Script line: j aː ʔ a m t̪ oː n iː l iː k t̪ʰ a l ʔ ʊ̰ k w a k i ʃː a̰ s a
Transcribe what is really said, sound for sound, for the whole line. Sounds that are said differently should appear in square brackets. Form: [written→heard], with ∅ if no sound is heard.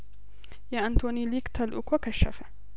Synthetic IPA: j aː ʔ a [m→n] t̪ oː n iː l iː k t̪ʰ a l ʔ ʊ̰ k w a k [i→a] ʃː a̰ [s→f] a